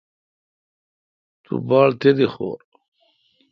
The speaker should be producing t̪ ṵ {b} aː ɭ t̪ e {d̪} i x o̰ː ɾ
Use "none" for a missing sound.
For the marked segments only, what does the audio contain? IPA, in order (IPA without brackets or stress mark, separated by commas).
b, d̪